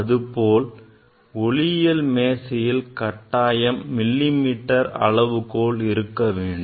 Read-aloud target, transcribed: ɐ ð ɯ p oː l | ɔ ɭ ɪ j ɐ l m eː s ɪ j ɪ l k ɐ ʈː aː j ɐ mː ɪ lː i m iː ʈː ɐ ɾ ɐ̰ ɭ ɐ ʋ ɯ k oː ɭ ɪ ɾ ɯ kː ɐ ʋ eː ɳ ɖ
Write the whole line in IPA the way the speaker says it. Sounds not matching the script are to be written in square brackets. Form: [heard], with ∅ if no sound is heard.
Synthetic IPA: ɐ ð ɯ p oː l | ɔ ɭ ɪ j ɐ l m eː s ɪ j ɪ l k ɐ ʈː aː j ɐ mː ɪ lː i m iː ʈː ɐ ɾ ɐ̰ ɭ ɐ ʋ ɯ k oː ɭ ɪ ɾ ɯ kː ɐ ʋ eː ɳ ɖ